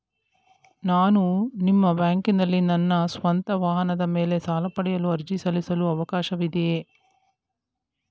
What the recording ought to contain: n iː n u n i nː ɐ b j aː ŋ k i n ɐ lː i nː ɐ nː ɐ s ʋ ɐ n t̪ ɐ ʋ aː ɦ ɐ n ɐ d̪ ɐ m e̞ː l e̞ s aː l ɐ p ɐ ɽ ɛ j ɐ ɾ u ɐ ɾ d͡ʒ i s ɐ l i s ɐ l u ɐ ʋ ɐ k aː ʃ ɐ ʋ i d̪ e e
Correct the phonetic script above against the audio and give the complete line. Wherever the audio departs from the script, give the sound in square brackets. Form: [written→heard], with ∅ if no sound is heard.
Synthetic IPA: n [iː→aː] n u n i [nː→mː] ɐ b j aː ŋ k i n ɐ lː i [nː→n] ɐ nː ɐ s ʋ ɐ n t̪ ɐ ʋ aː ɦ ɐ n ɐ d̪ ɐ m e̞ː l e̞ s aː l ɐ p ɐ ɽ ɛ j ɐ [ɾ→l] u ɐ ɾ d͡ʒ i s ɐ l i s ɐ l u ɐ ʋ ɐ k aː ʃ ɐ ʋ i d̪ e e

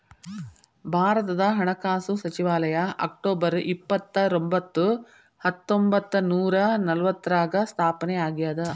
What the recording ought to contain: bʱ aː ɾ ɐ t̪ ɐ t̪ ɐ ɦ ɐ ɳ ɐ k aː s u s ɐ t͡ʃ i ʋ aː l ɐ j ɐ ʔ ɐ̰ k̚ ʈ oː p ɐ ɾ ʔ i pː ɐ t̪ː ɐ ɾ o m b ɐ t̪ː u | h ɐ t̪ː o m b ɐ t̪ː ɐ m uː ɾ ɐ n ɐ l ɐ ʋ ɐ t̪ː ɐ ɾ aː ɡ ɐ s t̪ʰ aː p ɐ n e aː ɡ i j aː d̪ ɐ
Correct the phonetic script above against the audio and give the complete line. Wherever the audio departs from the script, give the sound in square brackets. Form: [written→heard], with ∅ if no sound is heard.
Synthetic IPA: bʱ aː ɾ ɐ t̪ ɐ [t̪→d̪] ɐ ɦ ɐ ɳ ɐ k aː s u s ɐ t͡ʃ i ʋ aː l ɐ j ɐ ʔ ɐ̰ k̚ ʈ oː [p→b] ɐ ɾ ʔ i pː ɐ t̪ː ɐ ɾ o m b ɐ t̪ː u | h ɐ t̪ː o m b ɐ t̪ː ɐ [m→n] uː ɾ ɐ n ɐ l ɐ ʋ ɐ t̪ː ɐ ɾ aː ɡ ɐ s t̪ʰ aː p ɐ n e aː ɡ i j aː d̪ ɐ

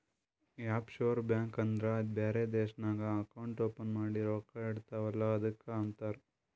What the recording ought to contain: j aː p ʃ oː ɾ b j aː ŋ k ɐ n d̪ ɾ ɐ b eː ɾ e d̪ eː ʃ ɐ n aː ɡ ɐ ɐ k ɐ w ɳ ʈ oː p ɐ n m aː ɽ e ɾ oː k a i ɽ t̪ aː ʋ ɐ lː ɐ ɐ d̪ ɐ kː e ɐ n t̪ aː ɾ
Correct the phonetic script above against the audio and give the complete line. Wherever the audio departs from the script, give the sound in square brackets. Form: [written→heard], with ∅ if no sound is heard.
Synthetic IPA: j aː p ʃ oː ɾ b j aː ŋ k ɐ n d̪ ɾ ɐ b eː ɾ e d̪ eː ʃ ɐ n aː ɡ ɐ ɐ k ɐ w ɳ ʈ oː p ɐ n m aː ɽ [e→i] ɾ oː k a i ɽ t̪ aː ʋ ɐ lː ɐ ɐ d̪ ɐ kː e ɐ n t̪ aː ɾ

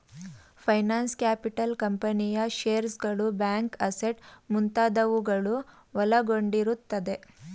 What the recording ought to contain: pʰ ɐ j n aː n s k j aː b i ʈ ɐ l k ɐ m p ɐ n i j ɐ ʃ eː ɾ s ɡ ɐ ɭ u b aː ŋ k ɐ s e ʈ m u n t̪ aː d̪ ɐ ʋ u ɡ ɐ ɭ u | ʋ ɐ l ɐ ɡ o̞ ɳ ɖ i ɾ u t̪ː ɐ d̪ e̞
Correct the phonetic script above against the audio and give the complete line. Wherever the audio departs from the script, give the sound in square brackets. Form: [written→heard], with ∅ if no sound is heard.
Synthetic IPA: pʰ ɐ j n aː n s k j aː [b→p] i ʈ ɐ l k ɐ m p ɐ n i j ɐ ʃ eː ɾ s ɡ ɐ ɭ u b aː ŋ k ɐ s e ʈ m u n t̪ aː d̪ ɐ ʋ u ɡ ɐ ɭ u | ʋ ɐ l ɐ ɡ o̞ ɳ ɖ i ɾ u t̪ː ɐ d̪ e̞

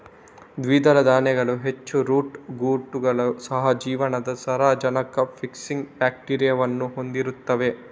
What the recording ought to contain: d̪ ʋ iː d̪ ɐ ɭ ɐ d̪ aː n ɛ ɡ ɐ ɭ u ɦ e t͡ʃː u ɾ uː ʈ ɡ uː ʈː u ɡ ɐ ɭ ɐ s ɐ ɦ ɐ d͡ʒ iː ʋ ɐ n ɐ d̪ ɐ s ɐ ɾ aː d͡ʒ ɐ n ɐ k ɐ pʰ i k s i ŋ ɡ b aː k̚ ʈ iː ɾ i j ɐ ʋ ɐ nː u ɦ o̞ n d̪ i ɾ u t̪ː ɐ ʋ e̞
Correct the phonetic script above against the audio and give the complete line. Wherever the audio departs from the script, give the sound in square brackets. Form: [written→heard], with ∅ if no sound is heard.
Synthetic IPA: d̪ ʋ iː d̪ ɐ [ɭ→l] ɐ d̪ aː n ɛ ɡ ɐ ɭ u ɦ e t͡ʃː u ɾ uː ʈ ɡ uː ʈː u ɡ ɐ ɭ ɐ s ɐ ɦ ɐ d͡ʒ iː ʋ ɐ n ɐ d̪ ɐ s ɐ ɾ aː d͡ʒ ɐ n ɐ k ɐ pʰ i k s i ŋ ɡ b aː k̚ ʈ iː ɾ i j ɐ ʋ ɐ nː u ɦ o̞ n d̪ i ɾ u t̪ː ɐ ʋ e̞

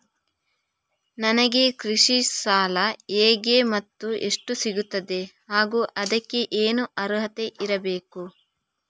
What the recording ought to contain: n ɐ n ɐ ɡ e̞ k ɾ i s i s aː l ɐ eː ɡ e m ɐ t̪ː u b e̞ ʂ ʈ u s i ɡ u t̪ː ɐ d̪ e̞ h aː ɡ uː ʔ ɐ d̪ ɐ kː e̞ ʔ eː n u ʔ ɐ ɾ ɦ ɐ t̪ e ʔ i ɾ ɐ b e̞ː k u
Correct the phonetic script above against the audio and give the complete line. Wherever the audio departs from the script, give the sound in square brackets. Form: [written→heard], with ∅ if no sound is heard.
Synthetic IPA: n ɐ n ɐ ɡ e̞ k ɾ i [s→ʂ] i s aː l ɐ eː ɡ e m ɐ t̪ː u [b→∅] e̞ ʂ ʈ u s i ɡ u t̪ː ɐ d̪ e̞ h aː ɡ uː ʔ ɐ d̪ ɐ kː e̞ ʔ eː n u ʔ ɐ ɾ ɦ ɐ t̪ e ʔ i ɾ ɐ b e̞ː k u

